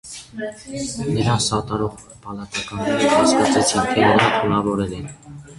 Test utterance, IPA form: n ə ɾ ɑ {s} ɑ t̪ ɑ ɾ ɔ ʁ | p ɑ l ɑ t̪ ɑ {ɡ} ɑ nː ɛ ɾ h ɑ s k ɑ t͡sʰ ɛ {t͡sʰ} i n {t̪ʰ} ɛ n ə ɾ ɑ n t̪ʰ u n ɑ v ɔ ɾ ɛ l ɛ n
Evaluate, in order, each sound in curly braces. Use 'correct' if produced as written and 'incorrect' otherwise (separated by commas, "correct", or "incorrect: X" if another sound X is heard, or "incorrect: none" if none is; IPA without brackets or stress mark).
correct, incorrect: k, correct, correct